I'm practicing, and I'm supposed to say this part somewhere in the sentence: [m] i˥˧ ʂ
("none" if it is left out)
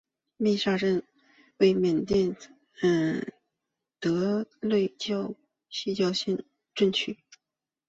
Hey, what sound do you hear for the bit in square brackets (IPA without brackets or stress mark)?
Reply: m